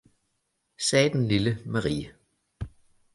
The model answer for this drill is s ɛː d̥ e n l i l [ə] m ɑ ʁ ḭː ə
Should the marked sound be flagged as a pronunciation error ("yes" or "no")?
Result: no